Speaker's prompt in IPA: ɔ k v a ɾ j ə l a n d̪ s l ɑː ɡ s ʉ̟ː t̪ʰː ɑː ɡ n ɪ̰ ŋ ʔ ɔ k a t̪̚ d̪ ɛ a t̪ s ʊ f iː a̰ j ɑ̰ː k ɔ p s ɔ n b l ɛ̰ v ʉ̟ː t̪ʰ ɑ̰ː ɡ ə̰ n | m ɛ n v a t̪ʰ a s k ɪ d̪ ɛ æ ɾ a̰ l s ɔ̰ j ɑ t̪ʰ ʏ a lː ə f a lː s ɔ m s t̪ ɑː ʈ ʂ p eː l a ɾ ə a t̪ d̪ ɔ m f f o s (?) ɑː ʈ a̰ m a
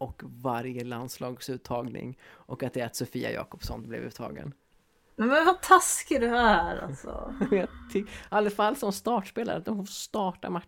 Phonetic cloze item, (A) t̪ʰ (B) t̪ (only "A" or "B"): B